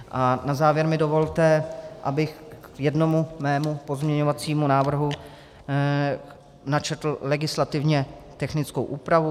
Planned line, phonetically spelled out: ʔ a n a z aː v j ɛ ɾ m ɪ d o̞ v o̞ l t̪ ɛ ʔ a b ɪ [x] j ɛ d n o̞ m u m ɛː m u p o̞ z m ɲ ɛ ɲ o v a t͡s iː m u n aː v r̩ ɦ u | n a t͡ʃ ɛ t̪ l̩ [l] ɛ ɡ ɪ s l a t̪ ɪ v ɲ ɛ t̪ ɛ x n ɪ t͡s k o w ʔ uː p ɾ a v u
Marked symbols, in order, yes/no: yes, yes

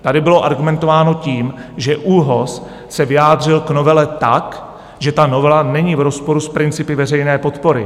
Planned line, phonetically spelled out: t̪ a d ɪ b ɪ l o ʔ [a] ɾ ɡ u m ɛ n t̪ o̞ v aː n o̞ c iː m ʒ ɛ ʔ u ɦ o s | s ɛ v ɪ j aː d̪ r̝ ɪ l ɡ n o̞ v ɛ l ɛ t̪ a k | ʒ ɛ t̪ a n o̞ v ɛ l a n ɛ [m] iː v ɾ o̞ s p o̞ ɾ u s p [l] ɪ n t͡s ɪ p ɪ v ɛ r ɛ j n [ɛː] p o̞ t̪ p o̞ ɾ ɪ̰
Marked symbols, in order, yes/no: yes, no, no, yes

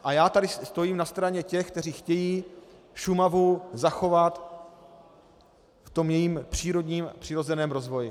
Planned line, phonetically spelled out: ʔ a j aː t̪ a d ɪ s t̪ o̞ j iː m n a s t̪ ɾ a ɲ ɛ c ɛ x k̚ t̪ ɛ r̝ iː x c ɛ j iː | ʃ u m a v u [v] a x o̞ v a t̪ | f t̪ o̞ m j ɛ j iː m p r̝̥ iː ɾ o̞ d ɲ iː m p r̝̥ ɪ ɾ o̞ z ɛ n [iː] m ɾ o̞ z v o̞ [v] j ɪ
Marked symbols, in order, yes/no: no, no, no

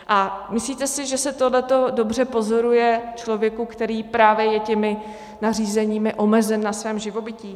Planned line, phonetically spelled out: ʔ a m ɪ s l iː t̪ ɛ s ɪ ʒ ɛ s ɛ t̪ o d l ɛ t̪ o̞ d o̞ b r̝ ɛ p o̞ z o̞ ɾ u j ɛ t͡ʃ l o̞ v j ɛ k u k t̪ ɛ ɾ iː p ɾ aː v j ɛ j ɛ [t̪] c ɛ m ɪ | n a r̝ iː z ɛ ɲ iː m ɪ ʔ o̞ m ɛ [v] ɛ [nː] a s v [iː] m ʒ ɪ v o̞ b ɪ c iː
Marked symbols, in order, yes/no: no, no, yes, no

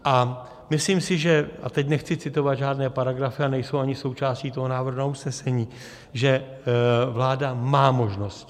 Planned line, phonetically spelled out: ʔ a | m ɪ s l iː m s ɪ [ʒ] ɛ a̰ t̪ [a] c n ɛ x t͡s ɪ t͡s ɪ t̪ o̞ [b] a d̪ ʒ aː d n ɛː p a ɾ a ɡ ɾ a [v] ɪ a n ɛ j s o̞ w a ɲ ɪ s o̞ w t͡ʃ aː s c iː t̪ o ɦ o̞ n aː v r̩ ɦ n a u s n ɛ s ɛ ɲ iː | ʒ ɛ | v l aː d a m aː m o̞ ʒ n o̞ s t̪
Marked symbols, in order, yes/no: yes, no, no, no

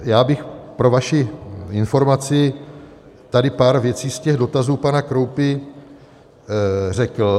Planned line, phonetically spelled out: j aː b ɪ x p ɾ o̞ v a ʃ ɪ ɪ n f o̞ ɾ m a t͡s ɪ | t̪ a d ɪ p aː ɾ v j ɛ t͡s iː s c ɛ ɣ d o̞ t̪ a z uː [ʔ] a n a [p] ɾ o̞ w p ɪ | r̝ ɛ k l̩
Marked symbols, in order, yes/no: no, no

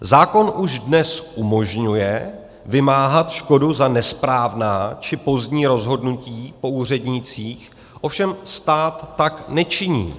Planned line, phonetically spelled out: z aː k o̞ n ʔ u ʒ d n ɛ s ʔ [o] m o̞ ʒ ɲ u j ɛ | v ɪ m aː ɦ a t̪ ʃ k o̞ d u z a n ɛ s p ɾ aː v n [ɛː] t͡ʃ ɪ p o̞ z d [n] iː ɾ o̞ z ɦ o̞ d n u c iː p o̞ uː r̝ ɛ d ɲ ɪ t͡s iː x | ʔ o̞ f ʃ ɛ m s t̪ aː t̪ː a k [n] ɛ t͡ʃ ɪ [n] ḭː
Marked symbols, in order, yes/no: no, no, no, yes, no

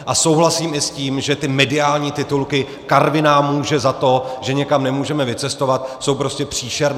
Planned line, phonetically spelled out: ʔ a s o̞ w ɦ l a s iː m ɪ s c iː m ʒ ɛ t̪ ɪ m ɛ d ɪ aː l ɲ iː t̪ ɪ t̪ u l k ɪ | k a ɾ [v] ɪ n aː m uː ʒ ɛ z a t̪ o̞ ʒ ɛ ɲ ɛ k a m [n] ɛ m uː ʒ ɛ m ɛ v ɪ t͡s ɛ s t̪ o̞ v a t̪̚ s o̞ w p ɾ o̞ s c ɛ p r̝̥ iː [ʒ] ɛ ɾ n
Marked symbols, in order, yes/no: yes, yes, no

